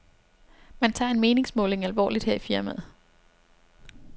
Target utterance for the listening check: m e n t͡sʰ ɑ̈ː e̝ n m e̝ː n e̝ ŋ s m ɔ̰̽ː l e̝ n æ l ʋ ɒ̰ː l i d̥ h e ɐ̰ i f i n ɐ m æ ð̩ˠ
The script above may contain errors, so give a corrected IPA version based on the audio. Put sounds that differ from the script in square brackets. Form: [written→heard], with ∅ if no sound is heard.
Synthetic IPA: m [e→æ] n t͡sʰ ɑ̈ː e̝ n m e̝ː n e̝ ŋ s m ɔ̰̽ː l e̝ [n→ŋ] æ l ʋ ɒ̰ː l i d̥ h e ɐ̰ i f i [n→∅] ɐ m æ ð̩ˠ

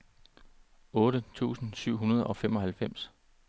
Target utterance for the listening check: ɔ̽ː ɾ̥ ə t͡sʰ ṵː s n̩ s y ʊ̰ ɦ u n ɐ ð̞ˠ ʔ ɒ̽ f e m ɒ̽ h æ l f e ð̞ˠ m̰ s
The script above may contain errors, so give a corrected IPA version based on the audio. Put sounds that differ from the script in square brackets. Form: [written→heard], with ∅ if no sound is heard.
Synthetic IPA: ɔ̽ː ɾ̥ ə t͡sʰ ṵː s n̩ s y ʊ̰ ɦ u n ɐ ð̞ˠ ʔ ɒ̽ f e m ɒ̽ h æ l f e [ð̞ˠ→∅] m̰ s

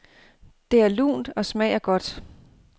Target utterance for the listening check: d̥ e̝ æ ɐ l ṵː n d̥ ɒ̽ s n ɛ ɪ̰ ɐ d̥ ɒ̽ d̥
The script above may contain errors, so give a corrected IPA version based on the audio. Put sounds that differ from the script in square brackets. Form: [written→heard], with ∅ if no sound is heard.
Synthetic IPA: d̥ e̝ æ ɐ l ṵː n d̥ ɒ̽ s [n→m] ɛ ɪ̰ ɐ [d̥→ɡ̥] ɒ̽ d̥

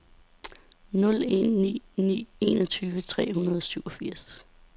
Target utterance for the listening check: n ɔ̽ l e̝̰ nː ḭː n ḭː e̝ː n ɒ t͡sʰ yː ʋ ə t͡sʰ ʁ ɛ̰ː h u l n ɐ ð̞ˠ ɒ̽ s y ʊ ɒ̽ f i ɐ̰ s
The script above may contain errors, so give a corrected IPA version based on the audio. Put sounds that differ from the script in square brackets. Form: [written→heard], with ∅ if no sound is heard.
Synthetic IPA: n ɔ̽ l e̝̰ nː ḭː n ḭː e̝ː n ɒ t͡sʰ yː ʋ ə t͡sʰ ʁ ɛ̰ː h u [l→∅] n ɐ ð̞ˠ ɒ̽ s y ʊ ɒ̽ f i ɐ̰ s

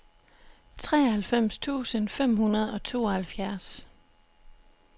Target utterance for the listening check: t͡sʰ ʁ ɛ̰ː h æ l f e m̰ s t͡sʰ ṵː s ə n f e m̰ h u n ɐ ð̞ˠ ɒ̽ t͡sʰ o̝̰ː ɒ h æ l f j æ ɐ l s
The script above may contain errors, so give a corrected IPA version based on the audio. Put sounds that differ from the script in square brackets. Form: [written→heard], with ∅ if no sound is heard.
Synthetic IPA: t͡sʰ ʁ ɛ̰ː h æ l f e m̰ s t͡sʰ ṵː s ə n f e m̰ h u n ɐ ð̞ˠ ɒ̽ t͡sʰ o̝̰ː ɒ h æ l f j æ ɐ [l→∅] s

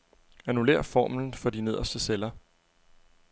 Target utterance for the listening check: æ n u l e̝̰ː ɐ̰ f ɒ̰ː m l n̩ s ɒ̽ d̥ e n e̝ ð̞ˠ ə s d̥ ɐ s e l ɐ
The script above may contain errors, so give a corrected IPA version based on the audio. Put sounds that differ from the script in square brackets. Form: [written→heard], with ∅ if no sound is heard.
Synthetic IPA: æ n u l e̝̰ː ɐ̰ f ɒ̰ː m l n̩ [s→f] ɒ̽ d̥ [e→i] n e̝ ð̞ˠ [ə→ɐ] s d̥ [ɐ→ə] s e l ɐ

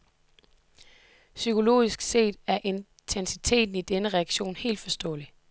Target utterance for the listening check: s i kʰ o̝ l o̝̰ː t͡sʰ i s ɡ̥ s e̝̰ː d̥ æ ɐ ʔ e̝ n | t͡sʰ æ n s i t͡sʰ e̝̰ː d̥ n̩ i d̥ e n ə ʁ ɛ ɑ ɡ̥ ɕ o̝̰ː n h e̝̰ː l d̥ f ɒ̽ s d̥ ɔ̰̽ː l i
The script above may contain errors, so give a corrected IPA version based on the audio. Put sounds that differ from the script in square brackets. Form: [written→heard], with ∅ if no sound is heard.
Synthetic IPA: s [i→y] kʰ o̝ l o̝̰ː [t͡sʰ→∅] i s ɡ̥ s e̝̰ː d̥ æ ɐ ʔ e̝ n | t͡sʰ [æ→e] n s i t͡sʰ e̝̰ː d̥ n̩ i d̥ e n ə ʁ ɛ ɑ ɡ̥ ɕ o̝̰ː n h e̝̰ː l d̥ f ɒ̽ s d̥ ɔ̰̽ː l i

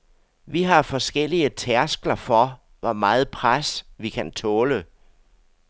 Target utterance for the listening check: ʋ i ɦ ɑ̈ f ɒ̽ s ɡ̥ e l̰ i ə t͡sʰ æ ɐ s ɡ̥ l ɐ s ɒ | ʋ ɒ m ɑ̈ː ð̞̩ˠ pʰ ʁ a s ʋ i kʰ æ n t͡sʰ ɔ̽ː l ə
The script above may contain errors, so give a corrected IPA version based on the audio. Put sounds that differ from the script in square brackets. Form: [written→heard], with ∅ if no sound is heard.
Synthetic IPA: ʋ i ɦ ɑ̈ f ɒ̽ s ɡ̥ e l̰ i ə t͡sʰ æ ɐ s ɡ̥ l ɐ [s→f] ɒ | ʋ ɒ m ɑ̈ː ð̞̩ˠ pʰ ʁ a s ʋ i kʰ æ n t͡sʰ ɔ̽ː l ə

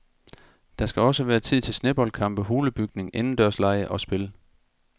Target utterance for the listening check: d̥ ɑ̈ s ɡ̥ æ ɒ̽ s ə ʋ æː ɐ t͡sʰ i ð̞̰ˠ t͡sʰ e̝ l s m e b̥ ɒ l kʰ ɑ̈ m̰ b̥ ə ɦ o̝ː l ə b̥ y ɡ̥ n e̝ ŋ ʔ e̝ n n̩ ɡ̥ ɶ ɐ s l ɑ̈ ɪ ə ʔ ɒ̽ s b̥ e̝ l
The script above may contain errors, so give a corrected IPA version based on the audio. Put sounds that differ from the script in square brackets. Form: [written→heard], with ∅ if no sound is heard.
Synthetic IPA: d̥ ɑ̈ s ɡ̥ æ ɒ̽ s ə ʋ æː ɐ t͡sʰ i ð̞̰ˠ t͡sʰ e̝ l s [m→n] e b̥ ɒ l kʰ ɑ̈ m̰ b̥ ə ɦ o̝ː l ə b̥ y ɡ̥ n e̝ ŋ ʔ e̝ n n̩ [ɡ̥→d̥] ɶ ɐ s l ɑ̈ ɪ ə ʔ ɒ̽ s b̥ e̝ l

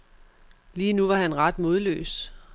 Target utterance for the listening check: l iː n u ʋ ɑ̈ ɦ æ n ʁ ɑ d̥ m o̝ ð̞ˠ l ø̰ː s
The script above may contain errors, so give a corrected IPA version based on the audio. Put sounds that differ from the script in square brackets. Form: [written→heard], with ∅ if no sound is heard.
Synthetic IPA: l iː n u ʋ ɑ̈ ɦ æ n ʁ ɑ d̥ m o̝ ð̞ˠ l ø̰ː s

